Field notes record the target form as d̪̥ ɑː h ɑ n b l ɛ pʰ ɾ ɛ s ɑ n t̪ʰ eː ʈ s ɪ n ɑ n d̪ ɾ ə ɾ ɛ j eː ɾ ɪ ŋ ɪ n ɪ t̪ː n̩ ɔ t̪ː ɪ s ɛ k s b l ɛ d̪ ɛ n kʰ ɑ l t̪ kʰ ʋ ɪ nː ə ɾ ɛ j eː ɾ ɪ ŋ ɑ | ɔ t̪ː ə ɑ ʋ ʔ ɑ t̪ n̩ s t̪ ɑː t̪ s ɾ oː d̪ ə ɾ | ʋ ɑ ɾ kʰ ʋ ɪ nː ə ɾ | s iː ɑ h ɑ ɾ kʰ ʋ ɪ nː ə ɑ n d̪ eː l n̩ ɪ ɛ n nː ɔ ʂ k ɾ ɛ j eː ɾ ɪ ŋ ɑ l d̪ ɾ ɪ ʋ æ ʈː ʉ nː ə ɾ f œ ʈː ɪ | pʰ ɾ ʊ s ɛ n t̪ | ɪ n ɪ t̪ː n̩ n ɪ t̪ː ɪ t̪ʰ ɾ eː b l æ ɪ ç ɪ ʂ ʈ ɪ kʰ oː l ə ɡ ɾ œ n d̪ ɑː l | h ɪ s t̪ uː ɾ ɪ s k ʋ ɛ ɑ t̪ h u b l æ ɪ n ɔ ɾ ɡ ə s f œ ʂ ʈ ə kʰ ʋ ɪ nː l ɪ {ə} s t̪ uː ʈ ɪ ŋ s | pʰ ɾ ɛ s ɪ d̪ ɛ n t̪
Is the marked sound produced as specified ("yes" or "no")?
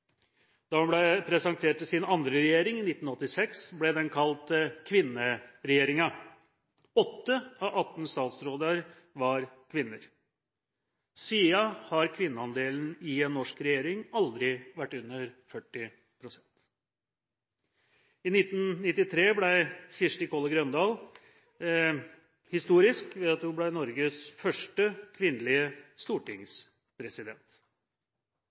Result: yes